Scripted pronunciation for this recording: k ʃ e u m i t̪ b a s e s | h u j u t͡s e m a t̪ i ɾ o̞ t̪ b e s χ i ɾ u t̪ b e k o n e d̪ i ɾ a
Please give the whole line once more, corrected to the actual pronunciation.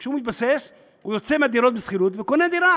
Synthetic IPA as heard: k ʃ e u m i t̪ b a s e s | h u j o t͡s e m a d̪ i ɾ o̞ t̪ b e s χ i ɾ u t̪ v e k o n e d̪ i ɾ a

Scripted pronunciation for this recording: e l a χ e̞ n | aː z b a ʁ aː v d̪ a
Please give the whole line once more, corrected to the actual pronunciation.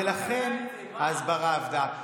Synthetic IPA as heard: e l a χ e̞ n | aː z b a ʁ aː v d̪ a

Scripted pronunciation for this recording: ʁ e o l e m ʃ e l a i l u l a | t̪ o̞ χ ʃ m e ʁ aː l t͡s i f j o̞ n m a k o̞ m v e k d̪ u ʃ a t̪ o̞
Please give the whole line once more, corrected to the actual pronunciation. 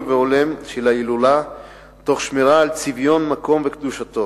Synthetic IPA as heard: v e o l e m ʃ e l a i l u l a | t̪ o̞ χ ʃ m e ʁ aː l t͡s i v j o̞ n m a k o̞ m v e k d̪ u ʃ a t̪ o̞

